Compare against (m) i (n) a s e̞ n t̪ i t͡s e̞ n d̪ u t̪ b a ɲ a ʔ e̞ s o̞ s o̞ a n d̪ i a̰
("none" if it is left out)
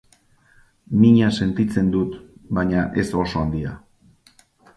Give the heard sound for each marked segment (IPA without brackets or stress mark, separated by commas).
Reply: m, ɲ